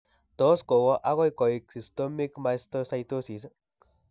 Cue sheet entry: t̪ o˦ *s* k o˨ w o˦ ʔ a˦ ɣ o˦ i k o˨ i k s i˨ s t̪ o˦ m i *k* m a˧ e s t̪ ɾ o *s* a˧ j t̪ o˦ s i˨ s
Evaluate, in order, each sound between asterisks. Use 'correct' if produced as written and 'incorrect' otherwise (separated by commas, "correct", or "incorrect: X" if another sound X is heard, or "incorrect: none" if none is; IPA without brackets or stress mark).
correct, correct, correct